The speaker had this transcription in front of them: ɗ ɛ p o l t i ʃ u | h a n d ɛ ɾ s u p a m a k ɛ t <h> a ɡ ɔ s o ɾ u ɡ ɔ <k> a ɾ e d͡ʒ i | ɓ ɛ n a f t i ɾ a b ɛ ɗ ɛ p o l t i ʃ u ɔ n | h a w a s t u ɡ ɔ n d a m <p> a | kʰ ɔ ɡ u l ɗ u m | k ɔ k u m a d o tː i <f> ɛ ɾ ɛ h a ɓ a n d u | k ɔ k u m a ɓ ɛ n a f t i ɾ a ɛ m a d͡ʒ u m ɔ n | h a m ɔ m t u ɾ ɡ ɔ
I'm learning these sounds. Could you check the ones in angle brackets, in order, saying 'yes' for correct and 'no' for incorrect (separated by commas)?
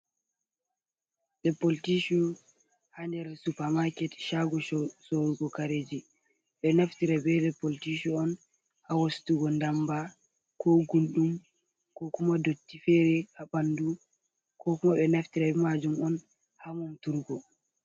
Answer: no, yes, no, yes